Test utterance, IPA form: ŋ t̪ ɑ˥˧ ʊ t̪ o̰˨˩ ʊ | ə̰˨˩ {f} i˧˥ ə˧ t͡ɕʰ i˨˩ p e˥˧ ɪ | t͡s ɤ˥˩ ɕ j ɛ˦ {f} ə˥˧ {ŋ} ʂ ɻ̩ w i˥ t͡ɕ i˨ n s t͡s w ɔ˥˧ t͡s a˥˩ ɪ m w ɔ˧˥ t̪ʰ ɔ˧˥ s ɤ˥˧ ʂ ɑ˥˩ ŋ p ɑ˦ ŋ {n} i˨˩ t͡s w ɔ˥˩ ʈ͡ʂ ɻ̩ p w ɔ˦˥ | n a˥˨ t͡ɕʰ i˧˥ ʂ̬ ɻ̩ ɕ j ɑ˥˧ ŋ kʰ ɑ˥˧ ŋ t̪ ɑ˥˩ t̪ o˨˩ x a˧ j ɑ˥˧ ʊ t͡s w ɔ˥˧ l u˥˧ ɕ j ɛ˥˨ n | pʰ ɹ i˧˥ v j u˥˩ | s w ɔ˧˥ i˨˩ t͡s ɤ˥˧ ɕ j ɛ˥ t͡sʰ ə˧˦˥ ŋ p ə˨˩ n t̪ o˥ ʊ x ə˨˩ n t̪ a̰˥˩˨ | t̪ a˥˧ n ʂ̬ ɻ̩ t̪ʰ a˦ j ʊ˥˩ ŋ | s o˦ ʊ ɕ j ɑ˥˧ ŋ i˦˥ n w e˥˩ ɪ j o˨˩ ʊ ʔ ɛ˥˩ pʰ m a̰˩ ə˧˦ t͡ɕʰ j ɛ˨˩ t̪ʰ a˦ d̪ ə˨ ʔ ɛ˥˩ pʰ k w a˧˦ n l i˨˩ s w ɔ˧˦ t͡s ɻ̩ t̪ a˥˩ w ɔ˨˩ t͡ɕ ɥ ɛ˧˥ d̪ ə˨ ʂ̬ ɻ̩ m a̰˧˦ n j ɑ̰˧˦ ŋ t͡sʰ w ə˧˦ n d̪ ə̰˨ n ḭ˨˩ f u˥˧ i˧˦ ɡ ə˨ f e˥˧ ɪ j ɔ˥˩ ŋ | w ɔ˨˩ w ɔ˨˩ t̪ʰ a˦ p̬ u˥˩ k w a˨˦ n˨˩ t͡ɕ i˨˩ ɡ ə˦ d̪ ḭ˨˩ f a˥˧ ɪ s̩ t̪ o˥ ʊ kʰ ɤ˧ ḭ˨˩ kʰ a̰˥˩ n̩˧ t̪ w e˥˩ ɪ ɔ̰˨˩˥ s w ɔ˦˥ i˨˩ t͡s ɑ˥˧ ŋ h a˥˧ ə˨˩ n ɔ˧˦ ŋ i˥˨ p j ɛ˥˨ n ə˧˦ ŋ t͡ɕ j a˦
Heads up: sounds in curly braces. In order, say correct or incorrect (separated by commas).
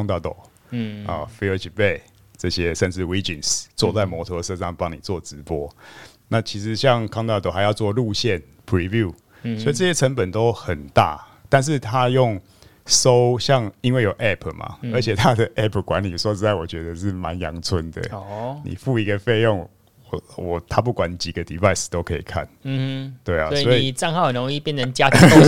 correct, incorrect, incorrect, correct